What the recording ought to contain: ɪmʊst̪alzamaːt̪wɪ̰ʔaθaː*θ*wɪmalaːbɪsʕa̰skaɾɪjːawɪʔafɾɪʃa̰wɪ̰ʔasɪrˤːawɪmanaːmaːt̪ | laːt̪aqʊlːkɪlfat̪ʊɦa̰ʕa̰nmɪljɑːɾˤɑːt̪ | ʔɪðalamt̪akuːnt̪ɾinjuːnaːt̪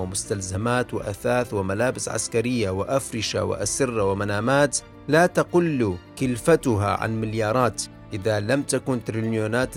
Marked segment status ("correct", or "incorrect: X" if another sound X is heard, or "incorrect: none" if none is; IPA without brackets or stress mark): correct